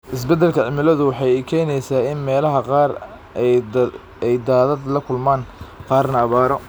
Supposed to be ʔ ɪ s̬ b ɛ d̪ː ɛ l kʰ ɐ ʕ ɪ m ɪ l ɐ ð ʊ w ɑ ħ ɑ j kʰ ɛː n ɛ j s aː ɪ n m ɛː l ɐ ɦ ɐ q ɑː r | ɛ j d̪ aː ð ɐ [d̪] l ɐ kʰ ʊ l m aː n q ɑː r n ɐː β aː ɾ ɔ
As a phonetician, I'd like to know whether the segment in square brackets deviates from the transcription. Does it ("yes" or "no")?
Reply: no